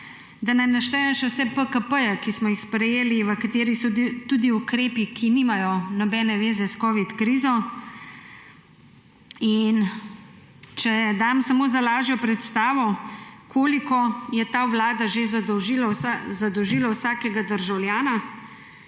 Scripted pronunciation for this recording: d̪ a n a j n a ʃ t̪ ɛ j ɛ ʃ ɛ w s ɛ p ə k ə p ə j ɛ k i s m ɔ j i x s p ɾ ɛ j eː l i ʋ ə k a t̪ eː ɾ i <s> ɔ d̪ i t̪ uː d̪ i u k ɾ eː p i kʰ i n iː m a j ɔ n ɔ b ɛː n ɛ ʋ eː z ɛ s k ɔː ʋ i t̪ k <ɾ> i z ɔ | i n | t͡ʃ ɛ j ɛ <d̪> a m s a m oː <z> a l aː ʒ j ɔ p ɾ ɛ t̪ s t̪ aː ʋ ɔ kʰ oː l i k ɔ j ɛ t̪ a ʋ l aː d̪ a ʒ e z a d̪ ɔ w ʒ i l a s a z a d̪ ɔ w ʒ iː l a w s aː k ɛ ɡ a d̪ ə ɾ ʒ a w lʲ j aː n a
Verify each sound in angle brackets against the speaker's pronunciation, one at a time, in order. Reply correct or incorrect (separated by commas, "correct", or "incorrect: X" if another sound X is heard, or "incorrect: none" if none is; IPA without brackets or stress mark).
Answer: correct, correct, correct, correct